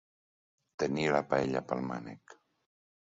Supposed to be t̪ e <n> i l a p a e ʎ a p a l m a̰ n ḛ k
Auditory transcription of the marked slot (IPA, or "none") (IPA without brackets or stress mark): n